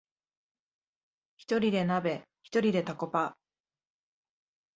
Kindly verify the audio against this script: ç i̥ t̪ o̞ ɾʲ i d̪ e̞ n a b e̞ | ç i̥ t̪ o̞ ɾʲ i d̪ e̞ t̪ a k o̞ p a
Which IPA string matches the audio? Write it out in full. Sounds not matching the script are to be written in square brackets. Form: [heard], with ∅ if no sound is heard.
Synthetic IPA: ç i̥ t̪ o̞ ɾʲ i d̪ e̞ n a b e̞ | ç i̥ t̪ o̞ ɾʲ i d̪ e̞ t̪ a k o̞ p a